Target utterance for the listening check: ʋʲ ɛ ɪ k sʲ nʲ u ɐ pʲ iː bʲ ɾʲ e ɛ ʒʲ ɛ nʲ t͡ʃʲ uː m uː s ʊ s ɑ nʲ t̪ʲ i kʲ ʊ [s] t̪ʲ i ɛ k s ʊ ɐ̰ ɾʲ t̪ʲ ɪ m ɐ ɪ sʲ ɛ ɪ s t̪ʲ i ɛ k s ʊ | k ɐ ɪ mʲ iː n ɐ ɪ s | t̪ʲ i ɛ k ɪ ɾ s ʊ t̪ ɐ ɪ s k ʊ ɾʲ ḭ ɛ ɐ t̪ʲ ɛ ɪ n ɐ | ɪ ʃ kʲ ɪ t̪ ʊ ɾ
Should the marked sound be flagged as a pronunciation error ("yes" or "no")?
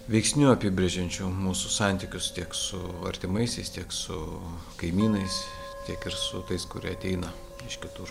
no